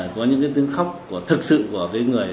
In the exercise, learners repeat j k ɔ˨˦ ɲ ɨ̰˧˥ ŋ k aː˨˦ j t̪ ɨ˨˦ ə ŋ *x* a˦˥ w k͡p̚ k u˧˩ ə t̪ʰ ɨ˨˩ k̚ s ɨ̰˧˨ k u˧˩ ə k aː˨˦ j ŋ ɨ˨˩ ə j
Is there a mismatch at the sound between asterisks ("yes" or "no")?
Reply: no